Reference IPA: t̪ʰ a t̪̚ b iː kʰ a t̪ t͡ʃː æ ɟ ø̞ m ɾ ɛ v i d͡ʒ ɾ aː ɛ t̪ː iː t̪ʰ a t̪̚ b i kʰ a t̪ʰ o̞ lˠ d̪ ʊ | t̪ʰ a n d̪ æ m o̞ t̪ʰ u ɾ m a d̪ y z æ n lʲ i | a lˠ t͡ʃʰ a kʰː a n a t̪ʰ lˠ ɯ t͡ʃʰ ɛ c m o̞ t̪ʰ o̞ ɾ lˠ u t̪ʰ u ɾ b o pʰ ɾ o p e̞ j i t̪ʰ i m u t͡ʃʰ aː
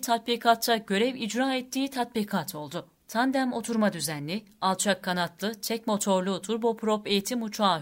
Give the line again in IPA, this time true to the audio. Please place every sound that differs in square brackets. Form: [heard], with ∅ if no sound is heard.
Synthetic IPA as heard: t̪ʰ a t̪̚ b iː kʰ a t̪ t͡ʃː [a] ɟ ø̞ [∅] ɾ ɛ v i d͡ʒ ɾ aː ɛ t̪ː iː t̪ʰ a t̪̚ b i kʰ a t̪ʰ o̞ lˠ d̪ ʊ | t̪ʰ a n d̪ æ m o̞ t̪ʰ u ɾ m a d̪ y z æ n lʲ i | a lˠ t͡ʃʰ a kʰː a n a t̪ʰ lˠ ɯ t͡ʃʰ ɛ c m o̞ t̪ʰ o̞ ɾ lˠ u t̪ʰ u ɾ b o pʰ ɾ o p e̞ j i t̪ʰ i m u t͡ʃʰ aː